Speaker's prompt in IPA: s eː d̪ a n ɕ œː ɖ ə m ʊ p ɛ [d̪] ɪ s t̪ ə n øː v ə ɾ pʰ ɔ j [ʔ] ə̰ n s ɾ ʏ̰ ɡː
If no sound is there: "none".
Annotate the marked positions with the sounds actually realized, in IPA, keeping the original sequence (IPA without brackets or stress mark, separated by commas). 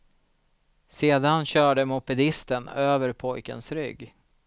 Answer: d̪, k